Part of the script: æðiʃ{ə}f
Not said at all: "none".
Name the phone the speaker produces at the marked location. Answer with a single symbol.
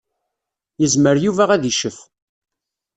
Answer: ə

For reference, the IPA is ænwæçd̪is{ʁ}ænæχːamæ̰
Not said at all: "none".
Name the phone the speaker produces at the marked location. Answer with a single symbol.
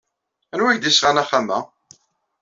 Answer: ʁ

